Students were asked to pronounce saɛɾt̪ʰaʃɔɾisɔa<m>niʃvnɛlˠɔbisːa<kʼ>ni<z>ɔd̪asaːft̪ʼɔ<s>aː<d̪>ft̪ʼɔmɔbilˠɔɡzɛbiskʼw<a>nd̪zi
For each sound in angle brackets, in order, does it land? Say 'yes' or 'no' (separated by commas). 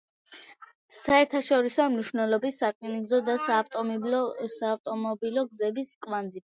yes, yes, yes, yes, no, yes